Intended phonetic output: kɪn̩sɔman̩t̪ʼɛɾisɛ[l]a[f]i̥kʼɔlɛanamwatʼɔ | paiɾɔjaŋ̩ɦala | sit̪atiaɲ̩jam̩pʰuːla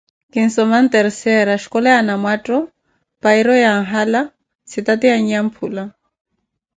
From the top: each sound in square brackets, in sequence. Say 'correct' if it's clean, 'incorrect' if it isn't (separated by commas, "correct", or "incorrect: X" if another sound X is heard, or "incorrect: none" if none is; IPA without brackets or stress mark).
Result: incorrect: ɾ, incorrect: ʃ